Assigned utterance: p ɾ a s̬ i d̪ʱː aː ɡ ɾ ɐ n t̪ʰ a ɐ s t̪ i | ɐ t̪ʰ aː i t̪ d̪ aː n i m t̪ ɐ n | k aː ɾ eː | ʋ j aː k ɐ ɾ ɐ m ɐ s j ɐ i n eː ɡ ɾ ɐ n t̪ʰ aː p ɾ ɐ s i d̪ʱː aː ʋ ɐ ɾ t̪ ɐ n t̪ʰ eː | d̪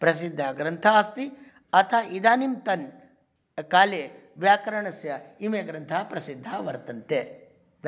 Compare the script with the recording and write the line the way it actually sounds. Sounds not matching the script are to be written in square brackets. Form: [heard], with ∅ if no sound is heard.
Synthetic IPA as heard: p ɾ [ɐ] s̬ i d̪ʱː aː ɡ ɾ ɐ n t̪ʰ a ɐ s t̪ i | ɐ t̪ʰ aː i [∅] d̪ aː n i m t̪ ɐ n | k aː [l] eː | ʋ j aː k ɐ ɾ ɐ [ɳ] ɐ s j ɐ i [m] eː ɡ ɾ ɐ n t̪ʰ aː p ɾ ɐ s i d̪ʱː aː ʋ ɐ ɾ t̪ ɐ n [t̪] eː | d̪